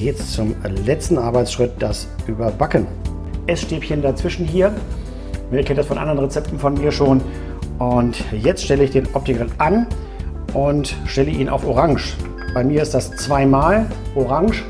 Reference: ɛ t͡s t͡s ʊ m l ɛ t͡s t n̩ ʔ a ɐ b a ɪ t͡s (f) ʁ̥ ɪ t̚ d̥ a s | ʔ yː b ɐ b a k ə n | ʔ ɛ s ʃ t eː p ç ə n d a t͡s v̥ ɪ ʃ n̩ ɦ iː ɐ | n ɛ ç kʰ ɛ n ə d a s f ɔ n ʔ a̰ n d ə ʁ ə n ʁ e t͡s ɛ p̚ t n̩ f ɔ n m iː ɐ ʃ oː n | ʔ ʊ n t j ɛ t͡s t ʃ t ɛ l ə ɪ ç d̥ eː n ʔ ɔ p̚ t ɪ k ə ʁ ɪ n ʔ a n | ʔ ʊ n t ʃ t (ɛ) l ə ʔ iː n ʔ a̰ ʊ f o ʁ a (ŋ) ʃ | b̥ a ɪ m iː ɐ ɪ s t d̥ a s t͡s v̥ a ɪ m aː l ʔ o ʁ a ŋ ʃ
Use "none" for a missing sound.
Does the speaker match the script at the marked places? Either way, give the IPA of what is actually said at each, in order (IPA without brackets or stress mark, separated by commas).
ʃ, ɛ, ŋ